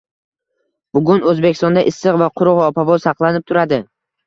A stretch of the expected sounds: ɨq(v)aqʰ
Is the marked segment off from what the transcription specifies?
no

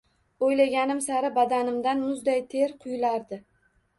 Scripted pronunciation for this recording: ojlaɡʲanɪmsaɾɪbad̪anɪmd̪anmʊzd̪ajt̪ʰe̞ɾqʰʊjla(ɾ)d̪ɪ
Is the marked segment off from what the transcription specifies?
no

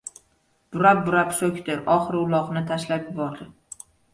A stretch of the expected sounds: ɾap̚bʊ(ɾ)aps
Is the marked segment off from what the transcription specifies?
no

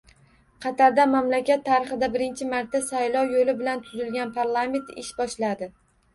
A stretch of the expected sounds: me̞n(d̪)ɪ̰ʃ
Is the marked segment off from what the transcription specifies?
yes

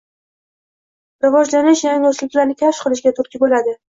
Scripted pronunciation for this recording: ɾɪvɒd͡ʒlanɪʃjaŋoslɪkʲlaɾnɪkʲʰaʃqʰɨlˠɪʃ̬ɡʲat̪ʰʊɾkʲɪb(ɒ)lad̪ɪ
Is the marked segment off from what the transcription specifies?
yes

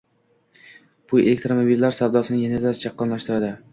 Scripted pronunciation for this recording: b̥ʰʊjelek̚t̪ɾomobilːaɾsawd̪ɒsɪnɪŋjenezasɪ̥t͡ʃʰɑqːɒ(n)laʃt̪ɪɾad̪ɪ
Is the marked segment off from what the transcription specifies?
no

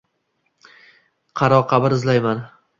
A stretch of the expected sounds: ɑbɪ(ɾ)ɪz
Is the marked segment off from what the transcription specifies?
no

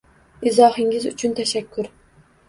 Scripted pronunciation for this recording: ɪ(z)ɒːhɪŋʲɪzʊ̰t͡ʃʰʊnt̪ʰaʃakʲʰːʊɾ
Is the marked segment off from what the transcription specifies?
no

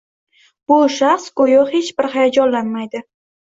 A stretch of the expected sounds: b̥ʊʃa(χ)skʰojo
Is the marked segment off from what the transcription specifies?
no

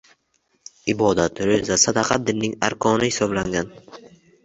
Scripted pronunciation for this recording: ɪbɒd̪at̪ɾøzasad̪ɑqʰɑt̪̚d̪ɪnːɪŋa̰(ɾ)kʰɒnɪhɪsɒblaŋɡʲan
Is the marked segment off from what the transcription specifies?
no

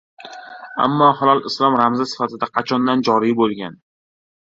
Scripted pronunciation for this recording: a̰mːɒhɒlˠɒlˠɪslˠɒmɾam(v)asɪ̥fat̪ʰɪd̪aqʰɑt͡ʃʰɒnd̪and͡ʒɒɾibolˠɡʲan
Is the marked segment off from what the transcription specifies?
yes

